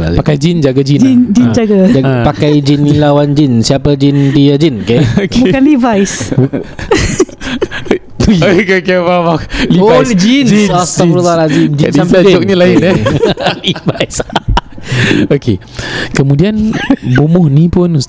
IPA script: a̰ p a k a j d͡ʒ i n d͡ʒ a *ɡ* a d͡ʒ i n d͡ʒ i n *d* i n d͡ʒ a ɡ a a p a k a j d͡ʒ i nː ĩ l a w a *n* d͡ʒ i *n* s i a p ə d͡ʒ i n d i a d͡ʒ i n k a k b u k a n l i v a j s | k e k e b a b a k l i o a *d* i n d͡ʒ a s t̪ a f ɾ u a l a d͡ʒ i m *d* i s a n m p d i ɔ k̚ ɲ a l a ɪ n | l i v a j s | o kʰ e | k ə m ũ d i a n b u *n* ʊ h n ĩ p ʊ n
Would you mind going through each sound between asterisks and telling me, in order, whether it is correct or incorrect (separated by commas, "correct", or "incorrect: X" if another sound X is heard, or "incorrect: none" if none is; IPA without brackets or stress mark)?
correct, incorrect: d͡ʒ, correct, correct, incorrect: d͡ʒ, incorrect: d͡ʒ, incorrect: m